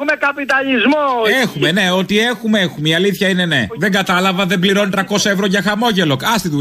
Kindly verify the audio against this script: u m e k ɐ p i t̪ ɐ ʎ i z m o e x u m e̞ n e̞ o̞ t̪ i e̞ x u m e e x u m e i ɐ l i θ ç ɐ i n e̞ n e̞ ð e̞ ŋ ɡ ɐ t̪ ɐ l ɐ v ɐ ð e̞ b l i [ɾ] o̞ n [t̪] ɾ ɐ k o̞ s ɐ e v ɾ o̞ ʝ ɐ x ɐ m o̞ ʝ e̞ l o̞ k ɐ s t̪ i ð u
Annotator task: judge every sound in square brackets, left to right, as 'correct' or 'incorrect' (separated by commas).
correct, correct